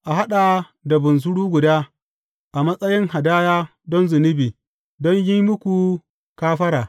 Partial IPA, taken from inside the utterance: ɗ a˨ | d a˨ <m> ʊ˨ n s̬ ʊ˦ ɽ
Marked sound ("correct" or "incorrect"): incorrect